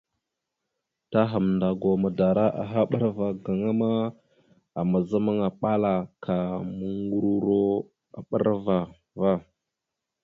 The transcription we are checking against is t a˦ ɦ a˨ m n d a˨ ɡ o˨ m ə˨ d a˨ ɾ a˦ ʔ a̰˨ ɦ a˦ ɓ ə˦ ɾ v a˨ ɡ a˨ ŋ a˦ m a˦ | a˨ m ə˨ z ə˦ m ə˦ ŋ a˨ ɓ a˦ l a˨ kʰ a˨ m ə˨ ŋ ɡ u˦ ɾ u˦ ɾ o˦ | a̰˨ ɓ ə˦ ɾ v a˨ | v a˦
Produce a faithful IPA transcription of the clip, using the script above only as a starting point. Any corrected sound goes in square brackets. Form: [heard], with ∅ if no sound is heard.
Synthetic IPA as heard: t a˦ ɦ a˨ m n d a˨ ɡ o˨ m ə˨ d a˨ ɾ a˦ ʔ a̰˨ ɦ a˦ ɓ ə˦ ɾ v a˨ ɡ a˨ ŋ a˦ m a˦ | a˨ m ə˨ z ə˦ m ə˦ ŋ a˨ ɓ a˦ l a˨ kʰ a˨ m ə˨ ŋ ɡ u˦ ɾ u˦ ɾ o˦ | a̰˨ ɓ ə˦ ɾ v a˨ | v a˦